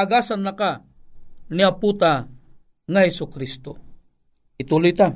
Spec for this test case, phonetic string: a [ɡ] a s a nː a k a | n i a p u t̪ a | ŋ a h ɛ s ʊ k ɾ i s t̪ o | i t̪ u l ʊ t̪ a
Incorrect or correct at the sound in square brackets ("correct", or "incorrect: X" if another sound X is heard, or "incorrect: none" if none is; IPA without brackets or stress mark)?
correct